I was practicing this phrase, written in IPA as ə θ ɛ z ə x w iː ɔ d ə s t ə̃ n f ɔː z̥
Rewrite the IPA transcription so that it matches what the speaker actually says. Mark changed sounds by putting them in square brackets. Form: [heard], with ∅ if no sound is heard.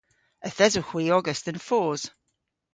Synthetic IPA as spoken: ə θ ɛ z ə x w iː ɔ [ɡ] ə s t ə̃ n f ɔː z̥